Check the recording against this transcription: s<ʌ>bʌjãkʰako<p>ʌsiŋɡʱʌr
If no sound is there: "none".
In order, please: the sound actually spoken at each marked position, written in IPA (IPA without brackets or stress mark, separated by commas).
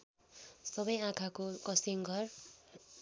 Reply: ʌ, k